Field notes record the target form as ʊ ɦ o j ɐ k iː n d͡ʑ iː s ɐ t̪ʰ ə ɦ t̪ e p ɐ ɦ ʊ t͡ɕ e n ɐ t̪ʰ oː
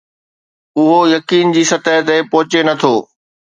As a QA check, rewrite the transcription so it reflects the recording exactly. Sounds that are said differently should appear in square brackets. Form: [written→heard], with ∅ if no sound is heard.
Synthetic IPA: ʊ ɦ o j ɐ k iː n d͡ʑ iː s ɐ [t̪ʰ→t̪] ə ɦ t̪ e p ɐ ɦ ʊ t͡ɕ e n ɐ t̪ʰ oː